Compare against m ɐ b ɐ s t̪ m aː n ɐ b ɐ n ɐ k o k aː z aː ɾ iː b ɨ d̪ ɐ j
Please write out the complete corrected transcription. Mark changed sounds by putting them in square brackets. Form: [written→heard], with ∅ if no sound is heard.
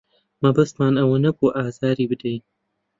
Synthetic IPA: m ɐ b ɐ s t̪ m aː n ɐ [b→w] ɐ n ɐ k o [k→ʔ] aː z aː ɾ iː b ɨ d̪ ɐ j

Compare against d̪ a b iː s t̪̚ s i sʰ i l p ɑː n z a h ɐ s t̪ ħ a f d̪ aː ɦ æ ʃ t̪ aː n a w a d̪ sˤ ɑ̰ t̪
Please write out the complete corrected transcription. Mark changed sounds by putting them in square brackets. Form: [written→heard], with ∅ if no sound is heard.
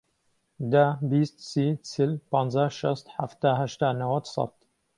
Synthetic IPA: d̪ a b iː s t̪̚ s i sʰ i l p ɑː n z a [h→ʃ] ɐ s t̪ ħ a f [d̪→t̪] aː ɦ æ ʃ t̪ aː n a w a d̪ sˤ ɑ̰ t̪

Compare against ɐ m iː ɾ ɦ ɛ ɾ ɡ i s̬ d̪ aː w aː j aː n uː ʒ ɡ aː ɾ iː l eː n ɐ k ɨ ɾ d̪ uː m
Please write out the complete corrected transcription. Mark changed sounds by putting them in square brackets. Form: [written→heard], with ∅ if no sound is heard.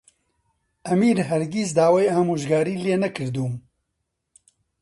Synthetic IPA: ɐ m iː ɾ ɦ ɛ ɾ ɡ i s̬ d̪ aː w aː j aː [n→m] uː ʒ ɡ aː ɾ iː l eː n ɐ k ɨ ɾ d̪ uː m

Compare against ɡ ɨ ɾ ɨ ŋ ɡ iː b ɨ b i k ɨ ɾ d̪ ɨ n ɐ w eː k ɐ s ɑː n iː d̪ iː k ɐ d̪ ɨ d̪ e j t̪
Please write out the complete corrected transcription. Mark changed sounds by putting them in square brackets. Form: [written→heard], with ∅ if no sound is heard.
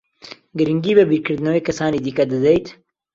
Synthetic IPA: ɡ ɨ ɾ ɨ ŋ ɡ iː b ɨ b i k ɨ ɾ d̪ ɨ n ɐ w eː k ɐ s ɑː n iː d̪ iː k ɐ d̪ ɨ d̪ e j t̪

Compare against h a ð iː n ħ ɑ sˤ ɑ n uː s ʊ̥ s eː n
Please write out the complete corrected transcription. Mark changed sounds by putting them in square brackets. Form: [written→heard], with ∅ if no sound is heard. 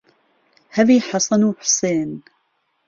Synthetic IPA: h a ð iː [n→∅] ħ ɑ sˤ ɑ n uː [s→ħ] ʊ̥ s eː n

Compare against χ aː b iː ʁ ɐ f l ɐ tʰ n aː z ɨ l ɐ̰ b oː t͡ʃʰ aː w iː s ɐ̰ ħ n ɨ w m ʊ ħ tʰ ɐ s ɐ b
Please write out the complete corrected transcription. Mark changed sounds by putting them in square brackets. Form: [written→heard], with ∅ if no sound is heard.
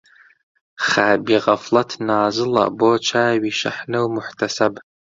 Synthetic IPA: χ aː b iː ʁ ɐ f l ɐ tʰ n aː z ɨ l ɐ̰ b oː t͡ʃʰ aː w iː [s→ʃ] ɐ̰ ħ n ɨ w m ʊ ħ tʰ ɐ s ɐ b

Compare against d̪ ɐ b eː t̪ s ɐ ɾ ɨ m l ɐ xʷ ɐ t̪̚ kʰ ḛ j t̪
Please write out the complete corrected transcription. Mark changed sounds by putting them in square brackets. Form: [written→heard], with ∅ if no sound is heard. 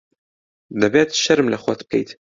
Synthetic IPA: d̪ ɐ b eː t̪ [s→ʃ] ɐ ɾ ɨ m l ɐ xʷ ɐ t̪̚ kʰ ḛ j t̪

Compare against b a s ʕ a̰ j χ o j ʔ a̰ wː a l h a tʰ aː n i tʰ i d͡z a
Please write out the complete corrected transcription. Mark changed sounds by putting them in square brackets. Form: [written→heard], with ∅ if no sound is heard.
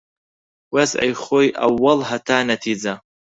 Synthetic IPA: [b→w] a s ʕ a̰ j χ o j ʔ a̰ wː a l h a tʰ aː n [i→a] tʰ i d͡z a

